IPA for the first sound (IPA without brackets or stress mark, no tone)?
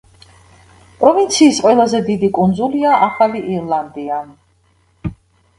pʼ